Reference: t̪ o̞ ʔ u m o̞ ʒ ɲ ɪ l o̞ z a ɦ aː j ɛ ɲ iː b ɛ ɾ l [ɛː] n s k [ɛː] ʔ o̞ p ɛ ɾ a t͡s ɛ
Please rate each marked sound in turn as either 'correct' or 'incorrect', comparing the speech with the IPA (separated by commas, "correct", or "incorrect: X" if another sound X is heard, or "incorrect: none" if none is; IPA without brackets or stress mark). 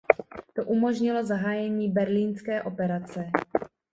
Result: incorrect: iː, correct